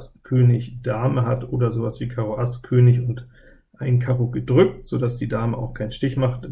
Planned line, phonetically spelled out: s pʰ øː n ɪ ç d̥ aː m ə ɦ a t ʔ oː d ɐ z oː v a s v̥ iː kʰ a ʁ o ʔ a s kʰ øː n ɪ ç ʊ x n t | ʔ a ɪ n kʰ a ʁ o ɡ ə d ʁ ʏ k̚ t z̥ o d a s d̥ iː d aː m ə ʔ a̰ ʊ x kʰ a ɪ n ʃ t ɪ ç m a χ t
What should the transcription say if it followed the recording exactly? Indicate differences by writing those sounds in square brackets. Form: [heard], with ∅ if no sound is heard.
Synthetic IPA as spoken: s [kʰ] øː n ɪ ç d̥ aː m ə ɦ a t ʔ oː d ɐ z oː v a s v̥ iː kʰ a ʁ o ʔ a s kʰ øː n ɪ ç ʊ [∅] n t | ʔ a ɪ n kʰ a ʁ o ɡ ə d ʁ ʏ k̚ t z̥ o d a s d̥ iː d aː m ə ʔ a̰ ʊ x kʰ a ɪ n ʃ t ɪ ç m a χ t